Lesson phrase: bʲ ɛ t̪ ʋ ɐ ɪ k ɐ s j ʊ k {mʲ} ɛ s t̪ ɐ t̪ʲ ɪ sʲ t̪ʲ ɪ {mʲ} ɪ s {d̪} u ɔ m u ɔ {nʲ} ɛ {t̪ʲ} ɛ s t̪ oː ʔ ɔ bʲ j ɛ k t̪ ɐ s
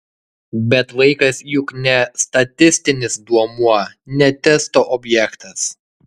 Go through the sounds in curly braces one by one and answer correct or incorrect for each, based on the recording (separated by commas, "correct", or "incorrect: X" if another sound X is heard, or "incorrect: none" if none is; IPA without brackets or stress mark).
incorrect: nʲ, incorrect: nʲ, correct, correct, correct